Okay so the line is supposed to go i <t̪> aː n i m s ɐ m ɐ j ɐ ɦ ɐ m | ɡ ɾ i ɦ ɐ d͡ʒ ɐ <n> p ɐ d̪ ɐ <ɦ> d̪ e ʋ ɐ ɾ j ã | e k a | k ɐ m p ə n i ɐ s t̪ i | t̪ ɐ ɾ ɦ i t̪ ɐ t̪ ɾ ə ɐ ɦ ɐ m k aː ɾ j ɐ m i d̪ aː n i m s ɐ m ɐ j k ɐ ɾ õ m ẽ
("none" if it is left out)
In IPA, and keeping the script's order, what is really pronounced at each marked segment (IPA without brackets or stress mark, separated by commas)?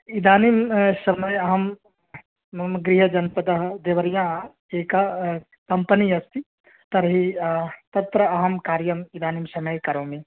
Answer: d̪, n, ɦ